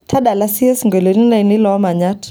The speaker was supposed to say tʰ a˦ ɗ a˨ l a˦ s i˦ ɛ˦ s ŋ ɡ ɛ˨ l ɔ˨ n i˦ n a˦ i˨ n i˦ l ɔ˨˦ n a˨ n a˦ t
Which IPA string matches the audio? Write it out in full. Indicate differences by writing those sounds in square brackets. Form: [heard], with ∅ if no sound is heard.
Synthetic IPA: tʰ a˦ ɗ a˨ l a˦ s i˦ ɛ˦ s ŋ ɡ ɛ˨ l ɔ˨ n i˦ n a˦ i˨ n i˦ l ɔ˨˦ [m] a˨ [ɲ] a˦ t